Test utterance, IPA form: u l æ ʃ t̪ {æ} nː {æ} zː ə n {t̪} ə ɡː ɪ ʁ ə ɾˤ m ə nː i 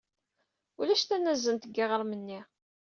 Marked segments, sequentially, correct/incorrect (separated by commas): correct, correct, correct